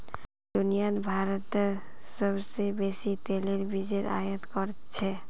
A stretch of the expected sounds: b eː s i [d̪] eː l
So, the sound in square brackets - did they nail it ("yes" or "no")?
no